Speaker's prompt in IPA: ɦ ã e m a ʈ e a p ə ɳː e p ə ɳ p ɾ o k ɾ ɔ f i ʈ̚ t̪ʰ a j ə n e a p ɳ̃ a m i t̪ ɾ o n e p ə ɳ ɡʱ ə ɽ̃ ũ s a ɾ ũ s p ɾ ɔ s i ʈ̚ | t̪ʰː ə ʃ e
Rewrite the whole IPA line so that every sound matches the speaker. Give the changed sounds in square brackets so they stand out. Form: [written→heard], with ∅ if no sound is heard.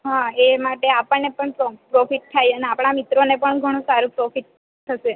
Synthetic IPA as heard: ɦ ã e m a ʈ e a p ə ɳː e p ə ɳ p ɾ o [k→p] ɾ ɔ f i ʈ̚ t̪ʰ a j ə n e a p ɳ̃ a m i t̪ ɾ o n e p ə ɳ ɡʱ ə ɽ̃ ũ s a ɾ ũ [s→∅] p ɾ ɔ [s→f] i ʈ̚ | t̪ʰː ə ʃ e